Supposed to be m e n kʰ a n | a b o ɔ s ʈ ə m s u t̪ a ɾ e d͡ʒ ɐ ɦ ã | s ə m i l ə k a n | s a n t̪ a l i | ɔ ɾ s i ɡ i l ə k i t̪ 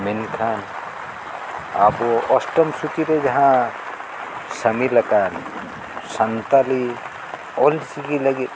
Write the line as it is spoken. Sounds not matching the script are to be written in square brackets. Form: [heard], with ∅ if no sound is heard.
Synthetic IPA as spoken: m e n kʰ a n | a b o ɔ s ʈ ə m s u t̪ [i] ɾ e d͡ʒ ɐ ɦ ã | s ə m i l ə k a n | s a n t̪ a l i | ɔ [l] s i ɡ i l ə [ɡ] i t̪